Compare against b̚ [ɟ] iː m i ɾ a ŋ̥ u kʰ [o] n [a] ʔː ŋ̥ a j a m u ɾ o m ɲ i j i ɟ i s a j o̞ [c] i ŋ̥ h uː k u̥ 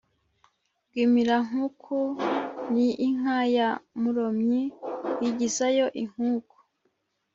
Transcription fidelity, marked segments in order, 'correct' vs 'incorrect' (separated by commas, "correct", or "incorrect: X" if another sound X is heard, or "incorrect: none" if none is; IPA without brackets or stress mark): incorrect: ɡ, incorrect: u, incorrect: i, incorrect: ʔ